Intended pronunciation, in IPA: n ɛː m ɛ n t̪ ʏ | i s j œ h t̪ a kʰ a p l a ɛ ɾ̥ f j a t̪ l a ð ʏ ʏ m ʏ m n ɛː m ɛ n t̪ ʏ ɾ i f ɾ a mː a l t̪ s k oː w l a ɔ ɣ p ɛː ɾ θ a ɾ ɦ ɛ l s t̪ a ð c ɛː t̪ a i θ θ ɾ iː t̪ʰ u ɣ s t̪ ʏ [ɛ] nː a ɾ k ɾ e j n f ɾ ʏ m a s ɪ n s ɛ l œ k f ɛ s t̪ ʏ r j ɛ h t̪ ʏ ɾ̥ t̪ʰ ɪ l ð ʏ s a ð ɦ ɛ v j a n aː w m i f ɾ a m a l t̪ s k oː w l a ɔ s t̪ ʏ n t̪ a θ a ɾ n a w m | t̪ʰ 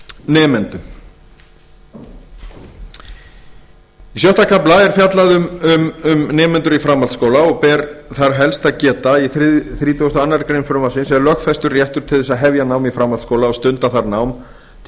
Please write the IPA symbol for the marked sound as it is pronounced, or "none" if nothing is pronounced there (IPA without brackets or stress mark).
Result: a